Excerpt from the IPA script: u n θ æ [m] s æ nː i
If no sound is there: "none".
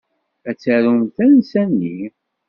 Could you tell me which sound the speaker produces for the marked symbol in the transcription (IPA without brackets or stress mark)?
n